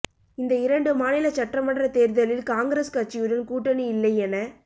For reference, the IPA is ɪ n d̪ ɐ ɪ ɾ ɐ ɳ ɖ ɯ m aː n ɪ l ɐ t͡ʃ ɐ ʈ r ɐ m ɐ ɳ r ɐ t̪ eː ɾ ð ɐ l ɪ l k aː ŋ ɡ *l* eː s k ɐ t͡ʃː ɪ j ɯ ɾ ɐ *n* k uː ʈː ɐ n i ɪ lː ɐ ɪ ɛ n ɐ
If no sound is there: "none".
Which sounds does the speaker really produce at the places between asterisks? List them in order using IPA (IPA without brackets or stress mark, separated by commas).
ɾ, n